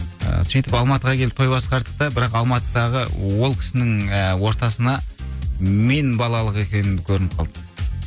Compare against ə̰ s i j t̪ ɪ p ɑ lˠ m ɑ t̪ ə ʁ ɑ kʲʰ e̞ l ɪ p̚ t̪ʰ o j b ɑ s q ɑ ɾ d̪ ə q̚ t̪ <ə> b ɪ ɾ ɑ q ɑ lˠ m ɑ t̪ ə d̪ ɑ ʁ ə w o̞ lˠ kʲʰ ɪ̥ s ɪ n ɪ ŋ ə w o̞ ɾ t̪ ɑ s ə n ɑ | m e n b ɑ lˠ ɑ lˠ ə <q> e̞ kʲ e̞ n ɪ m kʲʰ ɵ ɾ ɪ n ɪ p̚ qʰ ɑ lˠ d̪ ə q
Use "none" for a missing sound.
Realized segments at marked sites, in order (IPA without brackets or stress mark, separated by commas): ɑ, q